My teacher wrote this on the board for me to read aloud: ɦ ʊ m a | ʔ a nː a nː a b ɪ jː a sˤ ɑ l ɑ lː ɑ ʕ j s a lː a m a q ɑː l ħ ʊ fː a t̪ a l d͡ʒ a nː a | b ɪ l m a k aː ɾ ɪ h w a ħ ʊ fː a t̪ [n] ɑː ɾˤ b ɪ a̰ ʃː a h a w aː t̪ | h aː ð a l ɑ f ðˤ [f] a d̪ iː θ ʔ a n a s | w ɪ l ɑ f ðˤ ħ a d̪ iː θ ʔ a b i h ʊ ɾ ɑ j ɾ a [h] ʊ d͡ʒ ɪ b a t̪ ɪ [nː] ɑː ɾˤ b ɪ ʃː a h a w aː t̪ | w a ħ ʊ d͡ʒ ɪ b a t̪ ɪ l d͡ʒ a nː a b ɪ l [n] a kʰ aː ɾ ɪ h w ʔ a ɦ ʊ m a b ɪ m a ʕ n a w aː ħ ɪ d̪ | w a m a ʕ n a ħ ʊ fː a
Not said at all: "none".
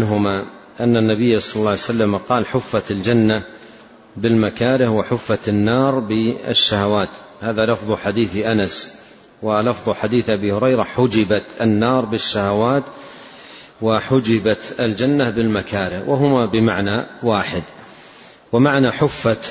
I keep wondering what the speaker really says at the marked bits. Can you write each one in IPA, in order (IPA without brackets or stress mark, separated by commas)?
nː, ħ, ħ, nː, m